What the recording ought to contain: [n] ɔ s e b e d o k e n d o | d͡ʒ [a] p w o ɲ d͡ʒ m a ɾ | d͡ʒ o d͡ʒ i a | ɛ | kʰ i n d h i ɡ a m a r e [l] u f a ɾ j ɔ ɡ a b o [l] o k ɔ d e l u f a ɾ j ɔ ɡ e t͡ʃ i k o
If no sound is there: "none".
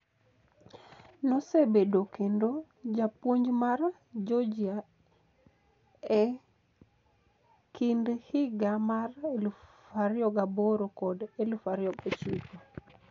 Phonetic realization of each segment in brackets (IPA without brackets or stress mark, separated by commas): n, a, l, ɾ